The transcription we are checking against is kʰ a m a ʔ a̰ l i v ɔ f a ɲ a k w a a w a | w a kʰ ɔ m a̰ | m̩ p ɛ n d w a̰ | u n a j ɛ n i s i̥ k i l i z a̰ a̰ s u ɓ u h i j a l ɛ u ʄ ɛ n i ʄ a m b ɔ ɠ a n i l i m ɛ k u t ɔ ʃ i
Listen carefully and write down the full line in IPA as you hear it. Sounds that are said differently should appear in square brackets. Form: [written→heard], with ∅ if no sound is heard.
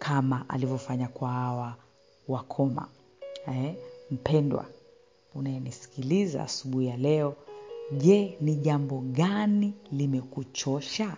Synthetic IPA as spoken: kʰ a m a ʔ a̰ l i v ɔ f a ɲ a k w a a w a | w a kʰ ɔ m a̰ | m̩ p ɛ n d w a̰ | u n a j ɛ n i s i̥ k i l i z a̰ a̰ s u ɓ u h i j a l ɛ [u→ɔ] ʄ ɛ n i ʄ a m b ɔ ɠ a n i l i m ɛ k u [t→t͡ʃ] ɔ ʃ [i→a]